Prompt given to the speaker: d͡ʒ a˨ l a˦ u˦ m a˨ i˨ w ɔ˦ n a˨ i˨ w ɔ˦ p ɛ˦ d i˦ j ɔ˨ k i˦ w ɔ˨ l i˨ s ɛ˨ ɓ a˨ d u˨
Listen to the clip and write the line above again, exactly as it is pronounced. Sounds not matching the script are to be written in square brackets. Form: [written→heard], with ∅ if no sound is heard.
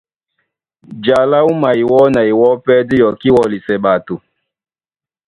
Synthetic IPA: d͡ʒ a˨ l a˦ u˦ m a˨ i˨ w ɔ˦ n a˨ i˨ w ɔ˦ p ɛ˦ d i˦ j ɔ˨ k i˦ w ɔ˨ l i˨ s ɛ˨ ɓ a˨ [d→t] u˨